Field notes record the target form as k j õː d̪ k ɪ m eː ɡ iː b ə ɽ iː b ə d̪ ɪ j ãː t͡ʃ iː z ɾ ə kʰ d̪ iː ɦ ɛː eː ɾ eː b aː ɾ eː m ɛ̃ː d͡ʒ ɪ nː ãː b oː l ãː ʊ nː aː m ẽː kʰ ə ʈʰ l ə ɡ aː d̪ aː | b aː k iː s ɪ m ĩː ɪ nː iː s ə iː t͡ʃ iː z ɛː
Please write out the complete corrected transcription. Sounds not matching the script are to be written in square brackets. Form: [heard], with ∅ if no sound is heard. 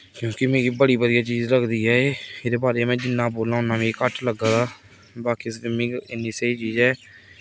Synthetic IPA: k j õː [∅] k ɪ m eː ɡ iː b ə ɽ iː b ə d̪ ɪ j [aː] t͡ʃ iː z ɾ ə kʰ d̪ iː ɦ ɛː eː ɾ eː b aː ɾ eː m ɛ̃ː d͡ʒ ɪ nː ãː b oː l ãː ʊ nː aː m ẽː [k] ə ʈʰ l ə ɡ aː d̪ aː | b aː k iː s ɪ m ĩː ɪ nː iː s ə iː t͡ʃ iː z ɛː